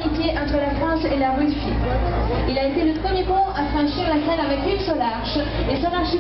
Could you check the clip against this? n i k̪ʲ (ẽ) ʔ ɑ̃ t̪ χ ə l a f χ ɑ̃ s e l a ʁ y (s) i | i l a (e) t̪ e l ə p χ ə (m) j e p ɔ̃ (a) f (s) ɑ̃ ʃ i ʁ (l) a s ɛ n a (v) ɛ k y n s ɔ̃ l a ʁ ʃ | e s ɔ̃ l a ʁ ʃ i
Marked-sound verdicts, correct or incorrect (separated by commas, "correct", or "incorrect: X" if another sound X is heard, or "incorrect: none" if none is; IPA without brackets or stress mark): incorrect: e, correct, correct, correct, correct, incorrect: χ, correct, correct